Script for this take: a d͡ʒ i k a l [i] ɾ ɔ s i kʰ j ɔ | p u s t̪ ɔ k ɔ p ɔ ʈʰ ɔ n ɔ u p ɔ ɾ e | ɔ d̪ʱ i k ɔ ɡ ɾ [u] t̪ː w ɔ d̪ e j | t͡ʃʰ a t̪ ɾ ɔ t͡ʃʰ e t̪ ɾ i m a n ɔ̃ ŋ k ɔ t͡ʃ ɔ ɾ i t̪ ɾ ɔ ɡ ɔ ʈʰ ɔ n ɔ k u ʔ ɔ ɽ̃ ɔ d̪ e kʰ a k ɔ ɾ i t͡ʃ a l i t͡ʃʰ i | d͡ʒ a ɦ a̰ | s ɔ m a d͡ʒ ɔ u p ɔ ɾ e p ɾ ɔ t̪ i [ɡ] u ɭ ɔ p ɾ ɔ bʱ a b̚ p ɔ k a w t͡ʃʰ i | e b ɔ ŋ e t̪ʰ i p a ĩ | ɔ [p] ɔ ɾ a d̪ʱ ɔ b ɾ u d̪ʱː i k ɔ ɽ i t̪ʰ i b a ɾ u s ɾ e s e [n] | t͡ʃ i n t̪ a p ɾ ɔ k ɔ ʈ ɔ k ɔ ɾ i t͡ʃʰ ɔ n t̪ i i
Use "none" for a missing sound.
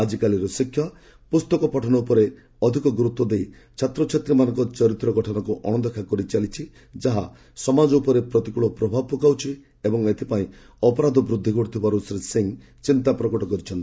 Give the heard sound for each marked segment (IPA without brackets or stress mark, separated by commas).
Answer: i, u, k, p, ŋ